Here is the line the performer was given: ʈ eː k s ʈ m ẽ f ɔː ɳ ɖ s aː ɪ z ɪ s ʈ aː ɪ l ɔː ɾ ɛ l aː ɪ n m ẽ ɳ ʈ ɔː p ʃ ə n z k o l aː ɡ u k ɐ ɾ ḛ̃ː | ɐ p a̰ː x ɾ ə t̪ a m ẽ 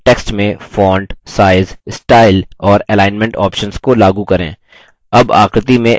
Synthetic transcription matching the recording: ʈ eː k s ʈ m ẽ f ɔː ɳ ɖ s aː ɪ z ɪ s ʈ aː ɪ l ɔː ɾ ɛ l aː ɪ n m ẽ ɳ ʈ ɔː p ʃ ə n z k o l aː ɡ u k ɐ ɾ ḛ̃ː | ɐ b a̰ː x ɾ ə t̪ i m ẽ